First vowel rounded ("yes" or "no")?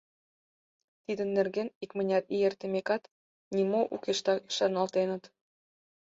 no